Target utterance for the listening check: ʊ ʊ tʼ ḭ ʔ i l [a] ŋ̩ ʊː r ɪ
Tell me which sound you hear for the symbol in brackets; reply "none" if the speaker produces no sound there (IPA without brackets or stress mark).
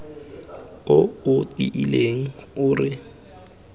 e